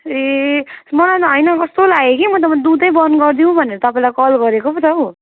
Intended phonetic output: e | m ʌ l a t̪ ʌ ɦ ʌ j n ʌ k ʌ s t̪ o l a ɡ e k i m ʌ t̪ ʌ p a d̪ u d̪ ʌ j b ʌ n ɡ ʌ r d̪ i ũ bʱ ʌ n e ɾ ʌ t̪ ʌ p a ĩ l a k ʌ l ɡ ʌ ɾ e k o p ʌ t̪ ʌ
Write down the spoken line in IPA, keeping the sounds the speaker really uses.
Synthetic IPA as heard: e | m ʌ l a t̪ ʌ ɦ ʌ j n ʌ k ʌ s t̪ o l a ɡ e k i m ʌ t̪ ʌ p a d̪ u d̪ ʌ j b ʌ n ɡ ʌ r d̪ i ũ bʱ ʌ n e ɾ ʌ t̪ ʌ p a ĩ l a k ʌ l ɡ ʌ ɾ e k o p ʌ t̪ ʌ